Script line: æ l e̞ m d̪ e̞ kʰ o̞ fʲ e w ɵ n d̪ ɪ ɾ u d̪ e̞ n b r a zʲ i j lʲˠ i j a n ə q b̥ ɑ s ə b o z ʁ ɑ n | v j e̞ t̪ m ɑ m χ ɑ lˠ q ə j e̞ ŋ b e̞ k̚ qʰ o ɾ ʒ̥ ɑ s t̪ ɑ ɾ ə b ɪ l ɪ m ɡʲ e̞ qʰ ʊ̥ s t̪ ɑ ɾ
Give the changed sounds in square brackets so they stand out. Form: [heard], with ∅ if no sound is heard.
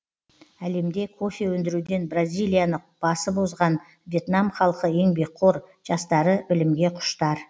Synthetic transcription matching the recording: æ l e̞ m d̪ e̞ kʰ o̞ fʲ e w ɵ n d̪ ɪ ɾ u d̪ e̞ n b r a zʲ i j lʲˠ i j a n ə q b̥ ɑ s ə b o z ʁ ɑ n | v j e̞ t̪ [n] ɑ m χ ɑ lˠ q ə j e̞ ŋ b e̞ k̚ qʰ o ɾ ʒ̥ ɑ s t̪ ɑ ɾ ə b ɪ l ɪ m ɡʲ e̞ qʰ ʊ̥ [ʃ] t̪ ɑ ɾ